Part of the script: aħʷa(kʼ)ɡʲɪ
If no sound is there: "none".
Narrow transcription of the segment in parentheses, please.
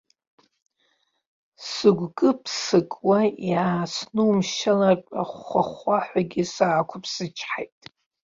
none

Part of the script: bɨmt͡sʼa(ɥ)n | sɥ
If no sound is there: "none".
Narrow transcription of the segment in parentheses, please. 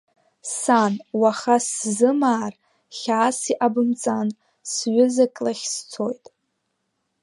none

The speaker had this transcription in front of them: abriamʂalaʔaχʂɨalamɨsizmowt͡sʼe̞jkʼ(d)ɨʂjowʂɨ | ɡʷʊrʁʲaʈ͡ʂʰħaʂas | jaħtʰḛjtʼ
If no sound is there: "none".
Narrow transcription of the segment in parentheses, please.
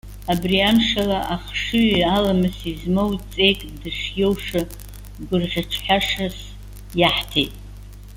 d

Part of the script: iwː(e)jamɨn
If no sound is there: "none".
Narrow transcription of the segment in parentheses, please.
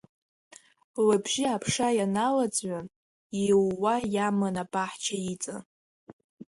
a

